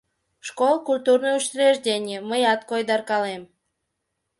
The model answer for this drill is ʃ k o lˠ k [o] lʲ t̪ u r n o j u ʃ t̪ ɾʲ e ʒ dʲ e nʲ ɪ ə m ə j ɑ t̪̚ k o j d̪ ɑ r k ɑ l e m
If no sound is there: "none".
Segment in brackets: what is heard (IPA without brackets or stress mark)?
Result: u